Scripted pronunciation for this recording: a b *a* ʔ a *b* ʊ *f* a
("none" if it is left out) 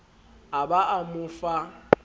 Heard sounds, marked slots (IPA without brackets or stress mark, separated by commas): a, m, f